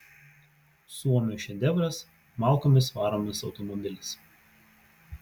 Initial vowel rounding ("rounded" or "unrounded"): rounded